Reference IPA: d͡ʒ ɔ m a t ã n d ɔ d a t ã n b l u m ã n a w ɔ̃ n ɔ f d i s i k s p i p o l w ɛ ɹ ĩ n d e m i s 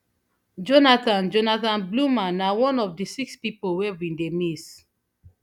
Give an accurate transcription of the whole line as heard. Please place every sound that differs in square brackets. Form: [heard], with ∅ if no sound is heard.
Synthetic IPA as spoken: d͡ʒ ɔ [n] a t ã n [d͡ʒ] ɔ [n] a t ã n b l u m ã n a w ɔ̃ n ɔ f d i s i k s p i p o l w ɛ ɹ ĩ n d e m i s